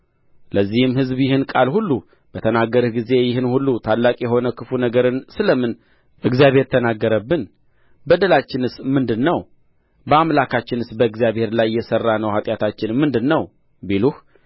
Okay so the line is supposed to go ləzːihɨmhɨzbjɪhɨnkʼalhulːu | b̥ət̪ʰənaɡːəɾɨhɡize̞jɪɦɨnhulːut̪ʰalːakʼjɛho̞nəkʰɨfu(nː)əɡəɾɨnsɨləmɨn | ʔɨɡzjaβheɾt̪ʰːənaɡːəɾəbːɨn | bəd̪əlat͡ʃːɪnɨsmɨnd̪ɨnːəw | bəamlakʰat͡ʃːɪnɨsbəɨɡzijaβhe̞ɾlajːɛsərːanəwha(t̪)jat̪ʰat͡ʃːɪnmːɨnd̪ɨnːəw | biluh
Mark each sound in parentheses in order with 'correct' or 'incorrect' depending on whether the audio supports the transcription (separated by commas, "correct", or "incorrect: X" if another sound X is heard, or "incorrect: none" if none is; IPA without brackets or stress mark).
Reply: incorrect: n, incorrect: t̪ʼ